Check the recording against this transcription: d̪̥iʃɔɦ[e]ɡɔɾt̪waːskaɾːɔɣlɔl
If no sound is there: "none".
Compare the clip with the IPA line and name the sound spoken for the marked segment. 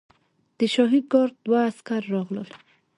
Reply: i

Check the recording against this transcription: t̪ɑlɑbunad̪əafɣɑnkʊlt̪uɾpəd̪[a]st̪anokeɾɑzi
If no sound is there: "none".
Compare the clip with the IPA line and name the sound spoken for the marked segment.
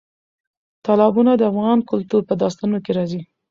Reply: ɑ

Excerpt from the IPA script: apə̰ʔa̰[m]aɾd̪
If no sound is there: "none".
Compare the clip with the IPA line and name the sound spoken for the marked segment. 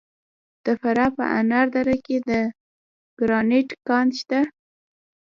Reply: n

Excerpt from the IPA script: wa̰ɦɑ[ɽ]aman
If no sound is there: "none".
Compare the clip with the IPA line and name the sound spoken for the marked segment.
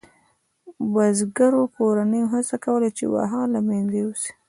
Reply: l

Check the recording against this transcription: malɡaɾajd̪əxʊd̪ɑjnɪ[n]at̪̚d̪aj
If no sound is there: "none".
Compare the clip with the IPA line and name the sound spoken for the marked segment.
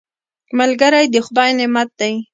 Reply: m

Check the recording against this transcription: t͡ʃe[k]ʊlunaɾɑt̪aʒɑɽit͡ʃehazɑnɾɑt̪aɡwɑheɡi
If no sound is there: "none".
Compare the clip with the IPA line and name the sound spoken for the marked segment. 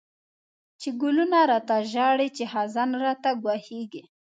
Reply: ɡ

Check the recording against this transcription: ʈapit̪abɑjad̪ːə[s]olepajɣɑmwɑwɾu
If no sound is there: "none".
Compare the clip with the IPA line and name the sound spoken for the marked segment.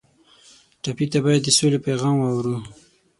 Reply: s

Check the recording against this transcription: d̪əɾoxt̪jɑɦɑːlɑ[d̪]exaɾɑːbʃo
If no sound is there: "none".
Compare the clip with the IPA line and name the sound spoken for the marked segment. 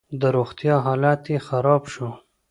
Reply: t̪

